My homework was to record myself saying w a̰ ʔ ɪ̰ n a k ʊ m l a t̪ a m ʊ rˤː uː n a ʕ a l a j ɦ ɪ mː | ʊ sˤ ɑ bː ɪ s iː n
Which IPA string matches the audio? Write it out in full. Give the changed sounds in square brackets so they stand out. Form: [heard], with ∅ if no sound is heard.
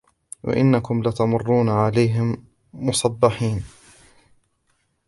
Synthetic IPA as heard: w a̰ ʔ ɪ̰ [nː] a k ʊ m l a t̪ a m ʊ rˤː uː n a ʕ a l a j ɦ ɪ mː | ʊ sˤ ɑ bː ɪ [ħ] iː n